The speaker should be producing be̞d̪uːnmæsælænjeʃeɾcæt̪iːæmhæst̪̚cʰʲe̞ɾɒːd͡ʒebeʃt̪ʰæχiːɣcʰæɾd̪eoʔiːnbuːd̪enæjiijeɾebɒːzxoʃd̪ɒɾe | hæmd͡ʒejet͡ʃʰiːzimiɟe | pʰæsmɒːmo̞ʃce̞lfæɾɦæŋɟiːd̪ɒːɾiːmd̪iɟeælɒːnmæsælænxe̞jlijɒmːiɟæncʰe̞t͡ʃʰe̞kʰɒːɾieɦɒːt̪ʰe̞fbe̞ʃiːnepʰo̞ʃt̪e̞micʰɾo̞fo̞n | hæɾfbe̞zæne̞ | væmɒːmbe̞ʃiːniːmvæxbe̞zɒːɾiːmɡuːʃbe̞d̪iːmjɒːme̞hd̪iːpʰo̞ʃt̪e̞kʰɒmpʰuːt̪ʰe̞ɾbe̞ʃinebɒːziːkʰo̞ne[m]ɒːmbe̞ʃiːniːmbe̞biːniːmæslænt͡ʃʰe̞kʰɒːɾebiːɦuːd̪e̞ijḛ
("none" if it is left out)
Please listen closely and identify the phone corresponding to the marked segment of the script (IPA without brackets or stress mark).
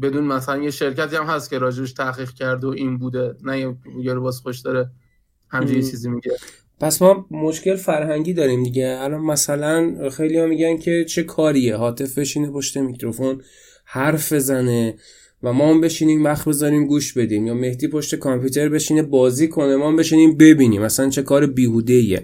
m